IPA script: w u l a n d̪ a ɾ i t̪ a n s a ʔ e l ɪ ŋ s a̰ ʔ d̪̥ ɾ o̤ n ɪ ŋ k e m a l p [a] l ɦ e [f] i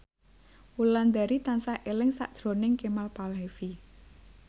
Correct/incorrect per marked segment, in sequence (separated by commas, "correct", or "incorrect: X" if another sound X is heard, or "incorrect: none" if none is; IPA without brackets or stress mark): correct, correct